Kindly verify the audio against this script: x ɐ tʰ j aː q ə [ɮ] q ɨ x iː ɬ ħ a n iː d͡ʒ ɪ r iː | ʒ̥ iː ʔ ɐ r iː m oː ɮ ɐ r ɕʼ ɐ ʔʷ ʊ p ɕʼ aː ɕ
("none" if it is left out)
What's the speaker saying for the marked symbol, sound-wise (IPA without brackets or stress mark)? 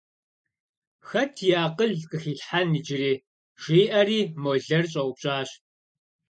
ɮ